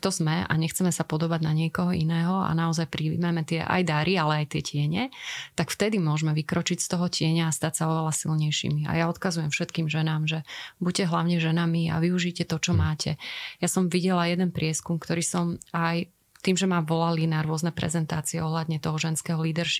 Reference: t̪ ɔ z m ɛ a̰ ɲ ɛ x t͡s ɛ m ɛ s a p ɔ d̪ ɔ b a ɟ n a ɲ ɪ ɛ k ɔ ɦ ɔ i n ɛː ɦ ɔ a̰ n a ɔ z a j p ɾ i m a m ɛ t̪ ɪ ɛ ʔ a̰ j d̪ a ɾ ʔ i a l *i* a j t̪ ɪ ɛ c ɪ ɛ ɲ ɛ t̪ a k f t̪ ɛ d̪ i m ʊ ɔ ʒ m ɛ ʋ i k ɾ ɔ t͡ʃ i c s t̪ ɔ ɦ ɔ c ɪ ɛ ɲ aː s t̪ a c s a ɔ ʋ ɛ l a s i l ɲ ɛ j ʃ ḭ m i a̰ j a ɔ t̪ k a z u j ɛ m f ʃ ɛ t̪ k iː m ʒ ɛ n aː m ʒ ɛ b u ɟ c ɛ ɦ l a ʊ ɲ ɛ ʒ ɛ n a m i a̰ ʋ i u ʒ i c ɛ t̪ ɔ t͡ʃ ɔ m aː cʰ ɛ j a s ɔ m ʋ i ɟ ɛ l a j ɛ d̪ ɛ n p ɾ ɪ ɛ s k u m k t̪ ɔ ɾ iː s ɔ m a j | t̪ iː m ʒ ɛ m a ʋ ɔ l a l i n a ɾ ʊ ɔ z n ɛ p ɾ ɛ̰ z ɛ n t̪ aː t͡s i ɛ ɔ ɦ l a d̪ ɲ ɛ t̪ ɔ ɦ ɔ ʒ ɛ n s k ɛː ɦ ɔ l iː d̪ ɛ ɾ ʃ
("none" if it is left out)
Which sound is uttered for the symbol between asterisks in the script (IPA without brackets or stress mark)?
ɛ